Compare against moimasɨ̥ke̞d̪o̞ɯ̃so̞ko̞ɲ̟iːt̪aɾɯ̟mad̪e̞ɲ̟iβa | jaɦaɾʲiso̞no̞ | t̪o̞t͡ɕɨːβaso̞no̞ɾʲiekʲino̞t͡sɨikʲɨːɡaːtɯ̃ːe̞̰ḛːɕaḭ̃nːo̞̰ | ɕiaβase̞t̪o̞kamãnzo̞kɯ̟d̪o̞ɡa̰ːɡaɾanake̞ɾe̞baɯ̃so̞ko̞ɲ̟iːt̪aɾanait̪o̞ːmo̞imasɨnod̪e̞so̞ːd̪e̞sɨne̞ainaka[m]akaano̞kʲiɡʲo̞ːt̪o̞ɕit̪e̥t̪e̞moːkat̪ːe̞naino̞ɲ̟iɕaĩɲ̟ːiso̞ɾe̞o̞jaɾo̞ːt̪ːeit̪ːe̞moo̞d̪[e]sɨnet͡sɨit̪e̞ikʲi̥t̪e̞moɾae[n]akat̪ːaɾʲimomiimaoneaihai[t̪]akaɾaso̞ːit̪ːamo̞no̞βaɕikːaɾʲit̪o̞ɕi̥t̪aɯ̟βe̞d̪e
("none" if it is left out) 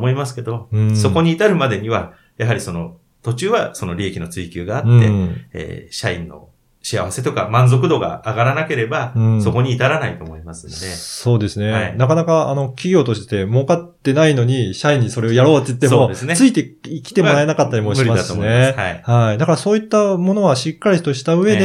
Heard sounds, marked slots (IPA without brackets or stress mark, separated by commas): n, e, n, d̪